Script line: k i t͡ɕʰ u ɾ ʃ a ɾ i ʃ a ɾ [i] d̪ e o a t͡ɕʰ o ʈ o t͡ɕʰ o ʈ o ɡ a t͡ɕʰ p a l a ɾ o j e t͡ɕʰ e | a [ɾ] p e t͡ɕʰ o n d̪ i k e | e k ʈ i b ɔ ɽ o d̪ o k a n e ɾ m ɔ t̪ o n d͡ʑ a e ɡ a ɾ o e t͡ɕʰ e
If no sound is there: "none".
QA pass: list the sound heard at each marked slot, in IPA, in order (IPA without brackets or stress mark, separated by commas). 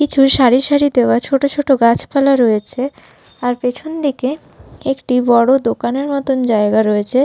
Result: i, ɾ